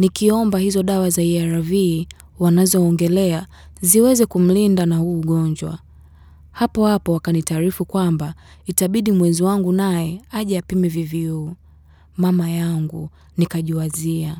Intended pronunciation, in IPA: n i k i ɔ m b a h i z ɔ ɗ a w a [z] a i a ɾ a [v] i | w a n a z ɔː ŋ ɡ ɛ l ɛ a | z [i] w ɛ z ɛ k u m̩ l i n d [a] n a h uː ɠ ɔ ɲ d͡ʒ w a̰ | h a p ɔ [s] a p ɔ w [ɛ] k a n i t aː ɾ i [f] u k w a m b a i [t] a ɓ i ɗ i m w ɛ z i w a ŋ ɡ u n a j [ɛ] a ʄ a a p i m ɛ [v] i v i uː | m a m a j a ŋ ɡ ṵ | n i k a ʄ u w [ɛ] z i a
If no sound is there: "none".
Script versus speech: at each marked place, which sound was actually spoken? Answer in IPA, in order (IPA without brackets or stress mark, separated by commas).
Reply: z, v, i, a, h, a, f, t, ɛ, v, a